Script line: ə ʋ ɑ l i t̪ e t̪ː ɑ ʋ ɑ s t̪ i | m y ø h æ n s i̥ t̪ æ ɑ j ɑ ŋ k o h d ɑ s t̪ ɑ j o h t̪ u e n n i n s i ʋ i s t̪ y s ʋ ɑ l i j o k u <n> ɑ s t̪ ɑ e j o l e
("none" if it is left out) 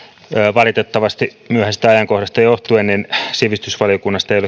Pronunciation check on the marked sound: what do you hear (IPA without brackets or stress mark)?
nː